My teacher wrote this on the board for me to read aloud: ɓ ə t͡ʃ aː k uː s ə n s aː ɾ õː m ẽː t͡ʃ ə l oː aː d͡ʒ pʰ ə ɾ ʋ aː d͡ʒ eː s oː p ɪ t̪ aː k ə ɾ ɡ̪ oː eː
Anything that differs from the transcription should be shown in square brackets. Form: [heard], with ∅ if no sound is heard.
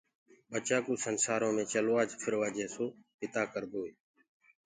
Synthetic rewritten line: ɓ ə t͡ʃ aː k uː s ə n s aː ɾ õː m ẽː t͡ʃ ə l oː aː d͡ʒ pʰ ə ɾ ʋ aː d͡ʒ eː s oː p ɪ t̪ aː k ə ɾ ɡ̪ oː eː